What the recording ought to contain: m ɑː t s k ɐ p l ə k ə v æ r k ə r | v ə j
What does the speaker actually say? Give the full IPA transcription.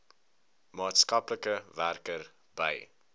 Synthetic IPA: m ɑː t s k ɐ p l ə k ə v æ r k ə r | b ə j

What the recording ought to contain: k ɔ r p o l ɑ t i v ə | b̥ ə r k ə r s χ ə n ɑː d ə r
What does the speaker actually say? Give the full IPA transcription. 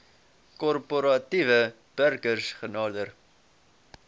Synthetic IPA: k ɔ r p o ɾ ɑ t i v ə | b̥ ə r k ə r s χ ə n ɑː d ə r

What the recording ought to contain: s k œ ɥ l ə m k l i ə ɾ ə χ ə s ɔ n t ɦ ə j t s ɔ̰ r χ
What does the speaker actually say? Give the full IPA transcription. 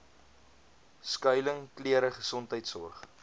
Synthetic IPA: s k œ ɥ l ə ŋ k l i ə ɾ ə χ ə s ɔ n t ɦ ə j t s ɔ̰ r χ

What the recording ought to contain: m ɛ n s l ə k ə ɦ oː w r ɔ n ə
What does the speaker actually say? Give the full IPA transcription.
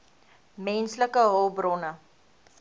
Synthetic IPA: m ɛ n s l ə k ə ɦ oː b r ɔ n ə

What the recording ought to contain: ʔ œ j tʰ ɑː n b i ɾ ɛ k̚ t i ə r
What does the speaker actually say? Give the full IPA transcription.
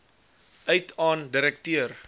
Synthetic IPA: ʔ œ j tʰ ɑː n d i ɾ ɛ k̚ t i ə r

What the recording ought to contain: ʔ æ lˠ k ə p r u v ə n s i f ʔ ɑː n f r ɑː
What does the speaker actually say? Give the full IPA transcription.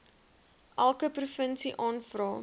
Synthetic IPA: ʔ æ lˠ k ə p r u f ə n s i ʔ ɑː n f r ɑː

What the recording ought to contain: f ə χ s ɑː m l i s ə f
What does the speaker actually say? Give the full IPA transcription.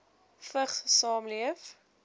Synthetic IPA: f ə χ s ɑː m l i ə f

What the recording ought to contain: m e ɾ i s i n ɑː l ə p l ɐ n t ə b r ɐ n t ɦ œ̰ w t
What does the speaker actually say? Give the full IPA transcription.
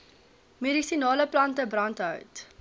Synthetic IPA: m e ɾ i s i n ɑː l ə p l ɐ n t ə b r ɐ n t ɦ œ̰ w t

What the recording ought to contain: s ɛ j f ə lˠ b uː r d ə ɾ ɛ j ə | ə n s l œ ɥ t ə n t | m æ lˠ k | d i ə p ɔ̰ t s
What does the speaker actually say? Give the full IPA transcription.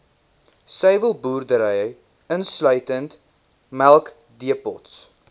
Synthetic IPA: s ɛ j v ə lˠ b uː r d ə ɾ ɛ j ə | ə n s l œ ɥ t ə n t | m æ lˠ k | d i ə p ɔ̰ t s

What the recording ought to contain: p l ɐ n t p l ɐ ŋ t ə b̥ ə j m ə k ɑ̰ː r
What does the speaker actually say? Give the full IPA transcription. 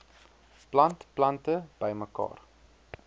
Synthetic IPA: p l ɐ n t p l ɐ n t ə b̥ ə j m ə k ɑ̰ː r

